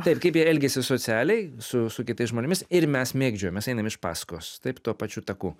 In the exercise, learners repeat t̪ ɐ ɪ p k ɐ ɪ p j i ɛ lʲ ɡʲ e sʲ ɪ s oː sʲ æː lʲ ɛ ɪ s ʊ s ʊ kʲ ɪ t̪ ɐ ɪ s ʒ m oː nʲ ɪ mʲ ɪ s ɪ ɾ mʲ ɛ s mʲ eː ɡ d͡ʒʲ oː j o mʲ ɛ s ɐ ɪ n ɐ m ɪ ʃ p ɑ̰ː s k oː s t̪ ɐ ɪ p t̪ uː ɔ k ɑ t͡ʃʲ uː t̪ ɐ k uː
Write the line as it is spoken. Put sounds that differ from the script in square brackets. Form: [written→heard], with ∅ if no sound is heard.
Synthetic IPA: t̪ ɐ ɪ p k ɐ ɪ p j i ɛ lʲ ɡʲ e sʲ ɪ s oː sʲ æː lʲ ɛ ɪ s ʊ s ʊ kʲ ɪ t̪ ɐ ɪ s ʒ m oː nʲ ɪ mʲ ɪ s ɪ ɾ mʲ ɛ s mʲ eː ɡ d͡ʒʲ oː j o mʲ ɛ s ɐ ɪ n ɐ m ɪ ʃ p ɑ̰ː s k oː s t̪ ɐ ɪ p t̪ [uː→u] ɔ [k→p] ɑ t͡ʃʲ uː t̪ ɐ k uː